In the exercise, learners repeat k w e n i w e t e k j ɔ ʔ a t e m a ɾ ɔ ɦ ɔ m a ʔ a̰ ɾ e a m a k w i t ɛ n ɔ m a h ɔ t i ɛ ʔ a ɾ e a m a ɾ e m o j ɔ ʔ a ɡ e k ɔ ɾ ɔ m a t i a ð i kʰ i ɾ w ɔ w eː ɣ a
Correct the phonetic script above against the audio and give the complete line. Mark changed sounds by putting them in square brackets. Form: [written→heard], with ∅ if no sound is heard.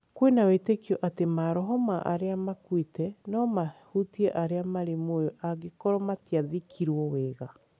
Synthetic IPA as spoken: k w e n [i→a] w e t e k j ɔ ʔ a t e m a ɾ ɔ ɦ ɔ m a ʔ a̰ ɾ e a m a k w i t ɛ n ɔ m a h [ɔ→u] t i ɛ ʔ a ɾ e a m a ɾ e m o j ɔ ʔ a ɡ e k ɔ ɾ ɔ m a t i a ð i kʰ i ɾ w ɔ w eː ɣ a